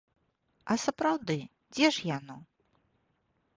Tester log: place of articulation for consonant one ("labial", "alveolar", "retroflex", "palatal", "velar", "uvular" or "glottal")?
alveolar